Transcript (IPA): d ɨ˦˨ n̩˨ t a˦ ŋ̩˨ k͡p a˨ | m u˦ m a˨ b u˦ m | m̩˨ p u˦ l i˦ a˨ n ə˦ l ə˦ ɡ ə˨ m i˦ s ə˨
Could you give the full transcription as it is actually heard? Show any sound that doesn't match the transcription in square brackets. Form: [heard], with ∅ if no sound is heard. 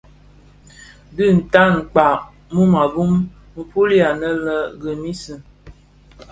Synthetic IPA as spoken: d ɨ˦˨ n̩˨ t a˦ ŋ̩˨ k͡p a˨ | m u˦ m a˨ b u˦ m | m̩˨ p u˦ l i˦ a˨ n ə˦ l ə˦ ɡ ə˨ m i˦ s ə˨